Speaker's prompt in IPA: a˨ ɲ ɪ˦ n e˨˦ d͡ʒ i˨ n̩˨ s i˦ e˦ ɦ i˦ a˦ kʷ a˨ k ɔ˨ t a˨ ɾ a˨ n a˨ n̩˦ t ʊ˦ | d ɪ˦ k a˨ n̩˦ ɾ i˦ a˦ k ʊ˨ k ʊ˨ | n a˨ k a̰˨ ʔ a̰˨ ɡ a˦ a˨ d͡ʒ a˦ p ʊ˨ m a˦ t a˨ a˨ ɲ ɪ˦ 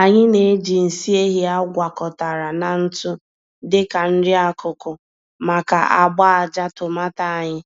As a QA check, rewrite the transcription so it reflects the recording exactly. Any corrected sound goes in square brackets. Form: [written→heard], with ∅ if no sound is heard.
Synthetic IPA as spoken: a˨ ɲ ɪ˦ n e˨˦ d͡ʒ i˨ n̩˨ s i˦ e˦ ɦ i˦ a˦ [kʷ→ɡʷ] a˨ k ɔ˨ t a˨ ɾ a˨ n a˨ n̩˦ t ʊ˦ | d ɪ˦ k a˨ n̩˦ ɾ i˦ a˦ k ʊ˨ k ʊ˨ | [n→m] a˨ k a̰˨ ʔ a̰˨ [ɡ→ɡ͡b] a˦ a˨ d͡ʒ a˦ [p→t] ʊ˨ m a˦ t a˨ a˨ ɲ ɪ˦